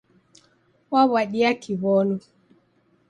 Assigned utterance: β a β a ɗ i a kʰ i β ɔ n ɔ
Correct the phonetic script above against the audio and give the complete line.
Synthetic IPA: w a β a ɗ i a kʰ i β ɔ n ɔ